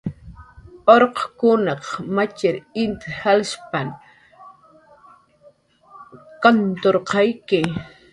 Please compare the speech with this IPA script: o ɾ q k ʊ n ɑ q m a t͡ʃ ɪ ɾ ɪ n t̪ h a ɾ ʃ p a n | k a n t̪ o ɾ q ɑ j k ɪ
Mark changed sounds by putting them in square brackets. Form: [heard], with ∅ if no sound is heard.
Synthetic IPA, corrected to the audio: o ɾ q k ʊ n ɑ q m a t͡ʃ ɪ ɾ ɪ n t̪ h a [l] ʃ p a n | k a n t̪ o ɾ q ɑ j k ɪ